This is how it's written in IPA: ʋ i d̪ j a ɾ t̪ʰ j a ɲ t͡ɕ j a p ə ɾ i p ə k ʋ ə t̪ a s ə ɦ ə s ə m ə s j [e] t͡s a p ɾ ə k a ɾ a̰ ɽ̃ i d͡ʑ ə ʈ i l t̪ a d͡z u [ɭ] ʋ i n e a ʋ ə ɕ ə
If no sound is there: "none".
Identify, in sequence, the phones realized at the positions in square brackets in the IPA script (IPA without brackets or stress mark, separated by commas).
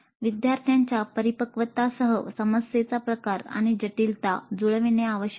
e, ɭ